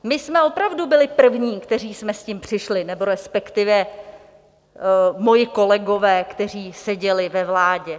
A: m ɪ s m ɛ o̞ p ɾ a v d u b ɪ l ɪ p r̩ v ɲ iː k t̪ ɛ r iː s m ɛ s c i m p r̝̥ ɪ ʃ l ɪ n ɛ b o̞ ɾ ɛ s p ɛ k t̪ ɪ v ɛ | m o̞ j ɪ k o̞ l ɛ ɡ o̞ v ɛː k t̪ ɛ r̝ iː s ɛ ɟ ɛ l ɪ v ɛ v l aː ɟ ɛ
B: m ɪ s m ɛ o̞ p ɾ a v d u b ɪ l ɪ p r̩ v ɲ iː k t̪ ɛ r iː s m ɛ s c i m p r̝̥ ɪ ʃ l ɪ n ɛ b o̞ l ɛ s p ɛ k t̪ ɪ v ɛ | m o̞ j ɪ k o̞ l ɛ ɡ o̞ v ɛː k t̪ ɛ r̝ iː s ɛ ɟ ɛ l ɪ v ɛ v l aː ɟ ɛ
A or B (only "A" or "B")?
A